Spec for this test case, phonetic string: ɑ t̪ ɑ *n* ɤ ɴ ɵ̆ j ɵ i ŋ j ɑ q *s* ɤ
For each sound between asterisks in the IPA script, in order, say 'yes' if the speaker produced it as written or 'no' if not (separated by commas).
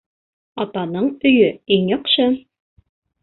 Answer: yes, no